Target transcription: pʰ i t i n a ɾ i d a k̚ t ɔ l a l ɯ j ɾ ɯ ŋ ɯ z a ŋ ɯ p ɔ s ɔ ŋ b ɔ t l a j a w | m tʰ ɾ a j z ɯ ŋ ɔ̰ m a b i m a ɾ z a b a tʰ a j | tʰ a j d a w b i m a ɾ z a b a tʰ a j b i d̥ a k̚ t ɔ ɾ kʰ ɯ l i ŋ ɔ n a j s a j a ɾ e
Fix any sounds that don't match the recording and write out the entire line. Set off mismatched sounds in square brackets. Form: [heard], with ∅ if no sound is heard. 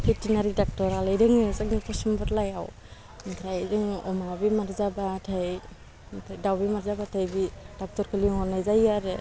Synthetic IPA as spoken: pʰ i t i n a ɾ i d a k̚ t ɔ [ɾ] a l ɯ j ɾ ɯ ŋ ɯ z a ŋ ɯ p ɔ s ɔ [m] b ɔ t l a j a w | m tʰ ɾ a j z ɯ ŋ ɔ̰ m a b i m a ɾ z a b a tʰ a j | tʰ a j d a w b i m a ɾ z a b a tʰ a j b i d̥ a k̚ t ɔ ɾ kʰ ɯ l i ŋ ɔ n a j [z] a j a ɾ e